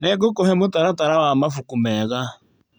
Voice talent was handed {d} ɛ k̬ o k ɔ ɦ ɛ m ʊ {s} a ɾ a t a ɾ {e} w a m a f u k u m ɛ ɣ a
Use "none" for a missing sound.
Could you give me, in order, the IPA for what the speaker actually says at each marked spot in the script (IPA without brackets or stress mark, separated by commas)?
n, t, a